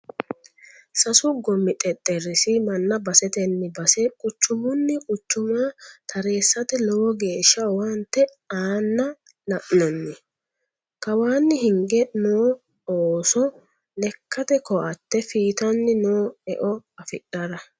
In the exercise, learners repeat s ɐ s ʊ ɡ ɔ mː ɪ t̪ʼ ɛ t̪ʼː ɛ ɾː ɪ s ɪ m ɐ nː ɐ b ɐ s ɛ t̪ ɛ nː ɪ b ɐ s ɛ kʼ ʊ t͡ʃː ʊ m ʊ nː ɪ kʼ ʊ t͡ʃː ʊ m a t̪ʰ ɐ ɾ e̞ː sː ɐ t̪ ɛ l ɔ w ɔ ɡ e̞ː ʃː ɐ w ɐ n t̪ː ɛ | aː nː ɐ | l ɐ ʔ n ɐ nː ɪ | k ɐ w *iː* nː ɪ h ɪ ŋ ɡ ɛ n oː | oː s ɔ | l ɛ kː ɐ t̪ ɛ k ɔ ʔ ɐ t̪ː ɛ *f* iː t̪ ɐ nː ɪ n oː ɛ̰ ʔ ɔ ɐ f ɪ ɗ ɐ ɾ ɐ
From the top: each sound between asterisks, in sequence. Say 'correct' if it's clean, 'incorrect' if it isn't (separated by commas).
incorrect, correct